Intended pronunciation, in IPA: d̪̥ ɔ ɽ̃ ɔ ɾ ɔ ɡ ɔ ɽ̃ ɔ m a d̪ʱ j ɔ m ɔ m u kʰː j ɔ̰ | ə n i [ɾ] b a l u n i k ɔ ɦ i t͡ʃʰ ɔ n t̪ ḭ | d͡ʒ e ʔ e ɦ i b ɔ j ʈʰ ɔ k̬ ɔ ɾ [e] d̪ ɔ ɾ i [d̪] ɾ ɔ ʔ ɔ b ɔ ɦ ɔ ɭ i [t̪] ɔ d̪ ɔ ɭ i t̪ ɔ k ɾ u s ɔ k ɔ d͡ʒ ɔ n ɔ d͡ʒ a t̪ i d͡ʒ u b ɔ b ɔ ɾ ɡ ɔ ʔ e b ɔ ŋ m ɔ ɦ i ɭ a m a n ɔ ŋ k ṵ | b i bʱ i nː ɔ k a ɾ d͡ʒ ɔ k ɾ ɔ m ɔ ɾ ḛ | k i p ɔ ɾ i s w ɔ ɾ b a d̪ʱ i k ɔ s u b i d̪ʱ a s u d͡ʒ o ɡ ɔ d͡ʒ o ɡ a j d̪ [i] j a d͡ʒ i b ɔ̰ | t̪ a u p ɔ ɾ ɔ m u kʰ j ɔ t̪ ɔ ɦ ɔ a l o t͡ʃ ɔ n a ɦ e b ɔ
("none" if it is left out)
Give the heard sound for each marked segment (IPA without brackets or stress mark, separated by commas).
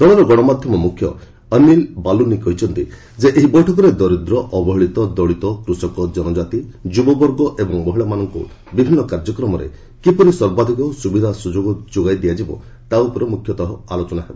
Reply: l, e, d̪, t̪, i